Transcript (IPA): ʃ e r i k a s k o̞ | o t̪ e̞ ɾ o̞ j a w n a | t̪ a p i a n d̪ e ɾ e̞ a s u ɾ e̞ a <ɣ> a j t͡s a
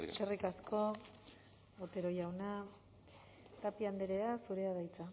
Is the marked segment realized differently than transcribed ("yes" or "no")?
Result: yes